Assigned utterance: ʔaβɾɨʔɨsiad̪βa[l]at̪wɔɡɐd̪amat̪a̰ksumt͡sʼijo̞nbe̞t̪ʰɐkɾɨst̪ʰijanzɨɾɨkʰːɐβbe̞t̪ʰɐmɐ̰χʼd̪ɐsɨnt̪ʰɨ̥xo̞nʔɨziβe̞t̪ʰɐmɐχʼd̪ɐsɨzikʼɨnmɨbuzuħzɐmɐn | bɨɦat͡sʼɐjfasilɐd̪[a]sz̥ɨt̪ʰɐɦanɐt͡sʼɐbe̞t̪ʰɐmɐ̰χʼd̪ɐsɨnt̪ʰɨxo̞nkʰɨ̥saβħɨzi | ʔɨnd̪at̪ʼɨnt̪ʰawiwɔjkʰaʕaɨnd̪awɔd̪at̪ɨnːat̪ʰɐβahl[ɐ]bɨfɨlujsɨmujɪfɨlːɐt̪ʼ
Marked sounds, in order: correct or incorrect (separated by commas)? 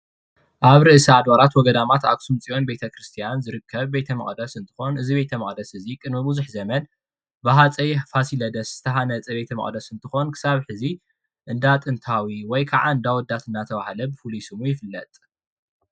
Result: incorrect, incorrect, correct